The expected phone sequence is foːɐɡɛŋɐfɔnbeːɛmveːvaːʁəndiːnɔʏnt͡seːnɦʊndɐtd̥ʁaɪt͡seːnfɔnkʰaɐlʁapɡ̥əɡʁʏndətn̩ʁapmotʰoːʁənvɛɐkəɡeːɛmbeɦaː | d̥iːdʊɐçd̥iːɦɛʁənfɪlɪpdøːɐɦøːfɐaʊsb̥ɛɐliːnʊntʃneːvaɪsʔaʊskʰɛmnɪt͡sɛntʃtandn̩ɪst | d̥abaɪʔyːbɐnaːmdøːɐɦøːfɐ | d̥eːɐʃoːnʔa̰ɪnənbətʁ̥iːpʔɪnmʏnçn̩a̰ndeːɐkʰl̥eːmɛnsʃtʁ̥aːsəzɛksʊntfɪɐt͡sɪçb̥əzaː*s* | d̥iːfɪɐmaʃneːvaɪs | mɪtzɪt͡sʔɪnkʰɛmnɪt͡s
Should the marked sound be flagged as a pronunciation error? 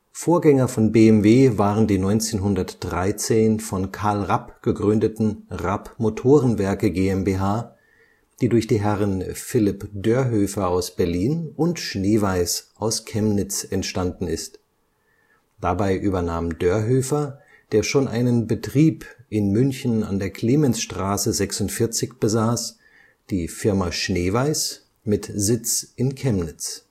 no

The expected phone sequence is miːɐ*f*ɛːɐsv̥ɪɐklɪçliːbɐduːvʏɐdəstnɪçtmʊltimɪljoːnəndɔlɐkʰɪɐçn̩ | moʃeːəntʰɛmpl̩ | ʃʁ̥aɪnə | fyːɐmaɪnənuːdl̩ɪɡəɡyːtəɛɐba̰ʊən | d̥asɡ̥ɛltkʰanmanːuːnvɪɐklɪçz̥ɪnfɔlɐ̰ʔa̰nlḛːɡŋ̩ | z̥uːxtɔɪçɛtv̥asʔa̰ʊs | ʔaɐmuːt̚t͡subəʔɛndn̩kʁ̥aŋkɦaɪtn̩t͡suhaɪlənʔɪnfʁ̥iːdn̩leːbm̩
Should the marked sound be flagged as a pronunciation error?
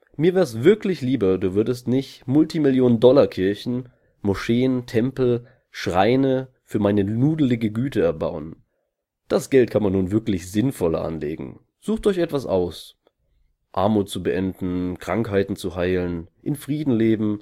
yes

